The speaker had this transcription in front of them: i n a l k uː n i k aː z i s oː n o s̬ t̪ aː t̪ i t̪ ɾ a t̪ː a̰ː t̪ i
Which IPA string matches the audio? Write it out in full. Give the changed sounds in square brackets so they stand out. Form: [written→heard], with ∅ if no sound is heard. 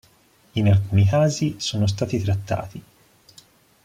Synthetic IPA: i n a l k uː n i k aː z i s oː n o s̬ t̪ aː t̪ i t̪ ɾ a t̪ː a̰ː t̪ i